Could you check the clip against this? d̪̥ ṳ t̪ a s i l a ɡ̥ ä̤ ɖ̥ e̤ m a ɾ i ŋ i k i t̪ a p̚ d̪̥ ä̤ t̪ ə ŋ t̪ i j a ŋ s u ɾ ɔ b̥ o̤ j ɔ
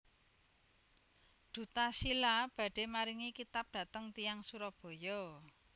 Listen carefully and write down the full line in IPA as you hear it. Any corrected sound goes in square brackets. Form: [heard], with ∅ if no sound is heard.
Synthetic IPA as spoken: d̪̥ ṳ t̪ a s i l a [b̥] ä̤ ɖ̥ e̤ m a ɾ i ŋ i k i t̪ a p̚ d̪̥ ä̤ t̪ ə ŋ t̪ i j a ŋ s u ɾ ɔ b̥ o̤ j ɔ